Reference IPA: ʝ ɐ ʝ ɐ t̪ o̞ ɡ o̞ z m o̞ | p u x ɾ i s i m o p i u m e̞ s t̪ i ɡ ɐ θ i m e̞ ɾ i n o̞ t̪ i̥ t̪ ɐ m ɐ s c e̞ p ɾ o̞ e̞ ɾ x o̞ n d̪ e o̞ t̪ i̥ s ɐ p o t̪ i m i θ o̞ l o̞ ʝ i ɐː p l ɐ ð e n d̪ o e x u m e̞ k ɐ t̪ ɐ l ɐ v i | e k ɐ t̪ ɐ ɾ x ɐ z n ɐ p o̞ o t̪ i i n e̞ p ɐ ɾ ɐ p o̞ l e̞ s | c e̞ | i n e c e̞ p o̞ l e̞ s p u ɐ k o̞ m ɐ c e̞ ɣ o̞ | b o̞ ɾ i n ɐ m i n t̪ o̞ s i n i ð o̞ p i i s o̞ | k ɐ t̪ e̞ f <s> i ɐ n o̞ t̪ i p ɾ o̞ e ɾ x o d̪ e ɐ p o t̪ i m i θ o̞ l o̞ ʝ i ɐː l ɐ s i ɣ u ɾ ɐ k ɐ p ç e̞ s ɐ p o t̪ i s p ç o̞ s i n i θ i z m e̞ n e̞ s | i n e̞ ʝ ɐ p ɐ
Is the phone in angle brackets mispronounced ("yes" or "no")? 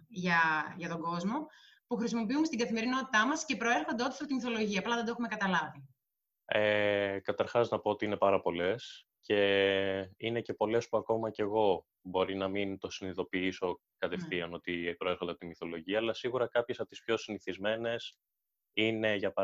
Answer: yes